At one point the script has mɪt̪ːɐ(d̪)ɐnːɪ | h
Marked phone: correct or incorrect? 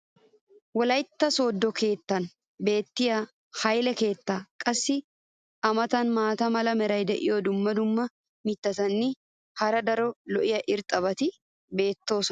incorrect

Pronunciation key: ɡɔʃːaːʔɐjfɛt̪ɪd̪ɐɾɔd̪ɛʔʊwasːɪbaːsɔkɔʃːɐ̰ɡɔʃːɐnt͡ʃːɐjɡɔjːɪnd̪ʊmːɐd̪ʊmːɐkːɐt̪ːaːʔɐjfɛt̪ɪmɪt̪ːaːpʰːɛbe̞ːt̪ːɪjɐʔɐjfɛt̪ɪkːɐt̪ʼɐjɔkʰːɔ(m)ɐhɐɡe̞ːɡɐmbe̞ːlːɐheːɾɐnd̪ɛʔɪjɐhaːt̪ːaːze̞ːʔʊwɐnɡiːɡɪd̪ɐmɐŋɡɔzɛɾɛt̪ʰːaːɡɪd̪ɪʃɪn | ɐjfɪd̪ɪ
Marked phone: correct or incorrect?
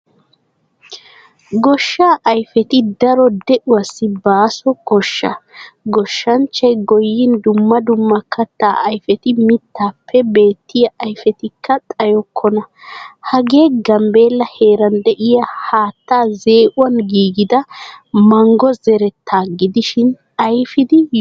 incorrect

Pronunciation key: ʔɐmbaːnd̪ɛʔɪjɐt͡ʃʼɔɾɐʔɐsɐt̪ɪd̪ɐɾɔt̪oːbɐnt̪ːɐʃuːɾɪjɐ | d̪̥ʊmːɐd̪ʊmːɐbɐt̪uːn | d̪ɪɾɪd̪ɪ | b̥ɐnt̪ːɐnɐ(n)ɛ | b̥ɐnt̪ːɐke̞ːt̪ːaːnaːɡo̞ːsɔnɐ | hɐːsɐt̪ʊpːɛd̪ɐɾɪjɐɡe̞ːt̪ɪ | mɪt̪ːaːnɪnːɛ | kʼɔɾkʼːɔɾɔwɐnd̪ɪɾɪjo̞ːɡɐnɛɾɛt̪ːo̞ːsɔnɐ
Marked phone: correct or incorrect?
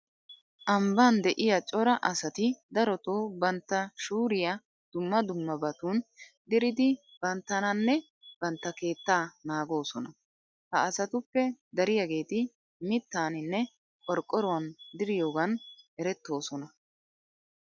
incorrect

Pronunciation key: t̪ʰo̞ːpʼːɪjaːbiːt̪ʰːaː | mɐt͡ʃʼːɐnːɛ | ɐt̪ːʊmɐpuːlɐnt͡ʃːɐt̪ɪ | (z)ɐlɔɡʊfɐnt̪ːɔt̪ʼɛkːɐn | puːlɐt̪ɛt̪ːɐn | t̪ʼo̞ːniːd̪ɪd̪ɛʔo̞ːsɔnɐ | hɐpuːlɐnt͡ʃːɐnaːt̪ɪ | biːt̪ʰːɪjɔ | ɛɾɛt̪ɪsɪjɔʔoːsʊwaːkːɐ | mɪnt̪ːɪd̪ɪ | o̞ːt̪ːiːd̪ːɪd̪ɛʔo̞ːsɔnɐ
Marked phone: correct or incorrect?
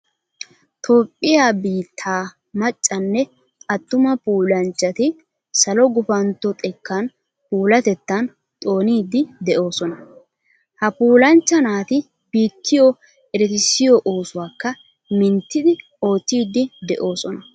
incorrect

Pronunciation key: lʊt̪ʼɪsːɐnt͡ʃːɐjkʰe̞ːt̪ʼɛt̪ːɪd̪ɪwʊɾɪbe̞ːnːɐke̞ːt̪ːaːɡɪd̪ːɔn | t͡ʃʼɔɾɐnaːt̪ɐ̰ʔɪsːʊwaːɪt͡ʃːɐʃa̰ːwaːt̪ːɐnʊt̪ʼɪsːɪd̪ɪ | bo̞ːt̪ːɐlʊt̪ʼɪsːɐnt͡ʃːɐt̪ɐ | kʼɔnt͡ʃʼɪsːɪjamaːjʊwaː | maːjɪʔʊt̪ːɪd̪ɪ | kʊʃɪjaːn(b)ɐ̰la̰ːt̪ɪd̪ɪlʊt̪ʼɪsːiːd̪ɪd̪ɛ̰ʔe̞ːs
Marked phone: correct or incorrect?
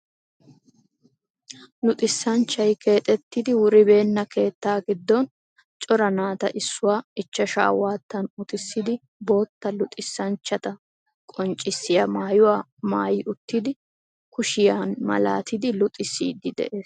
incorrect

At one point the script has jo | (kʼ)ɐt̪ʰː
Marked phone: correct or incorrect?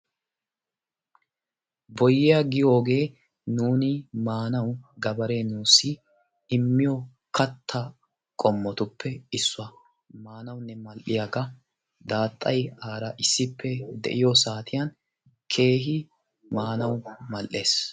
incorrect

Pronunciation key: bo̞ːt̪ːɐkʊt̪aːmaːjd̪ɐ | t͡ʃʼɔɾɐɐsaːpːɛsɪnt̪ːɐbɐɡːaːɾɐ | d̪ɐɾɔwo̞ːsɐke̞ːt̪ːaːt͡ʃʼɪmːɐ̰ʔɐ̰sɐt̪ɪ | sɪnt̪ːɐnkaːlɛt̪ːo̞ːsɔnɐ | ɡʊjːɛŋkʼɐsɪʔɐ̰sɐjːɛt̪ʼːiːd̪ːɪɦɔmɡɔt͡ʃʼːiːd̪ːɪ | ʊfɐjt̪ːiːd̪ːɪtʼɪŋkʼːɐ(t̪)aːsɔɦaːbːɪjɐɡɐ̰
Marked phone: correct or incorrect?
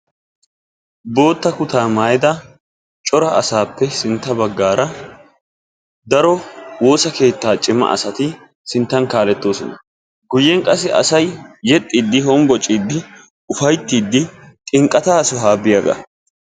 correct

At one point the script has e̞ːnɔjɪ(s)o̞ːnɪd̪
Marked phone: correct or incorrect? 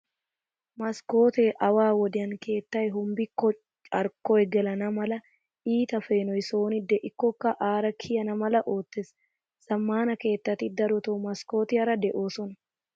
correct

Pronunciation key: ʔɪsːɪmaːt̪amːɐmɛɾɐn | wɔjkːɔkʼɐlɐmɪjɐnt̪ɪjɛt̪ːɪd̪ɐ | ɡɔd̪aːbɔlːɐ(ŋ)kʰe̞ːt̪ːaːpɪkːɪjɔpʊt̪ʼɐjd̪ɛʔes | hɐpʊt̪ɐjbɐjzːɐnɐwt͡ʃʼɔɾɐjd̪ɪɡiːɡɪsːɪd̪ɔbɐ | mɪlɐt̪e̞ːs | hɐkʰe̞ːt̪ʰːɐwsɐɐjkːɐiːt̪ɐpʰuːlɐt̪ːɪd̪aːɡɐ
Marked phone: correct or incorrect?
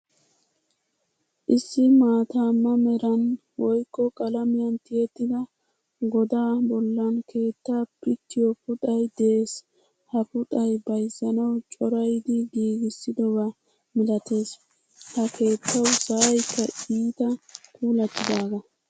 incorrect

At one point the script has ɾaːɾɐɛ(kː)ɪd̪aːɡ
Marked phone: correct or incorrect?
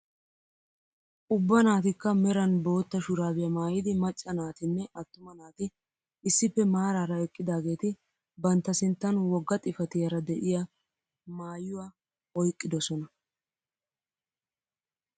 incorrect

